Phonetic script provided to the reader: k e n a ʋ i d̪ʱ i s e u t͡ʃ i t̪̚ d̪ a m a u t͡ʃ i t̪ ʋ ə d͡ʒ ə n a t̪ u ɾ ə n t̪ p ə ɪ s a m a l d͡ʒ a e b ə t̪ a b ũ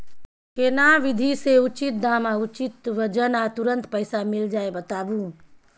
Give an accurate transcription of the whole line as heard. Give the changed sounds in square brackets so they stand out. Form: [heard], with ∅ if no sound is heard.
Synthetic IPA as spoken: k e n a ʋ i d̪ʱ i s e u t͡ʃ i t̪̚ d̪ a m a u t͡ʃ i t̪ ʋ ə d͡ʒ ə n a t̪ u ɾ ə n t̪ p ə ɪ s a m [i] l d͡ʒ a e b ə t̪ a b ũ